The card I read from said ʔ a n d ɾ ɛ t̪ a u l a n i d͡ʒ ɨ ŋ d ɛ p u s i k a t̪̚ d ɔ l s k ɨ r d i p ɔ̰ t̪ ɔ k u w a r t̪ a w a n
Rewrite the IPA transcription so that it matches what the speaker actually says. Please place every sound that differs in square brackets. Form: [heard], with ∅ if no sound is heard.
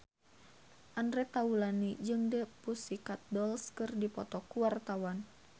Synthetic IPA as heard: ʔ a n d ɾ ɛ t̪ a u l a n i d͡ʒ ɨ ŋ d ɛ p u s i k a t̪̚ d ɔ l s k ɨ r d i p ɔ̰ t̪ ɔ k u w a r t̪ a w a n